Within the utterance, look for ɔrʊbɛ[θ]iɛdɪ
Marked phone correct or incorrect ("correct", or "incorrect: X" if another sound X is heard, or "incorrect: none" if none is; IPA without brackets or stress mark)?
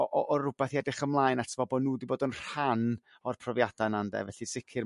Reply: correct